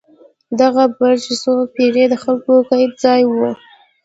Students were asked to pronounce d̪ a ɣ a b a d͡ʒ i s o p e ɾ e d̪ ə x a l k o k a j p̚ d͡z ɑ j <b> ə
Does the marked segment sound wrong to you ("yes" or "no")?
yes